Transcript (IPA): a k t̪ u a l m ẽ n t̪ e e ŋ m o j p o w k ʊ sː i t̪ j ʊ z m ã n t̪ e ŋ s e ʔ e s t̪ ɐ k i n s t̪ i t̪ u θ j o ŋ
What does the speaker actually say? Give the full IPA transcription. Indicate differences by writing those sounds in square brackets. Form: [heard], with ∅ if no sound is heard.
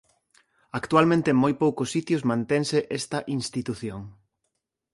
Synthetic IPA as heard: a k t̪ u a l m ẽ n t̪ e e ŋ m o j p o w k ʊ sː i t̪ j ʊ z m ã n t̪ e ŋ s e ʔ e s t̪ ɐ [ʔ] i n s t̪ i t̪ u θ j o ŋ